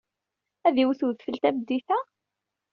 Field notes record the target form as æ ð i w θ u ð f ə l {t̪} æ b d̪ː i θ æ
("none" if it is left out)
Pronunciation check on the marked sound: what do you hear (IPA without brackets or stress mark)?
t̪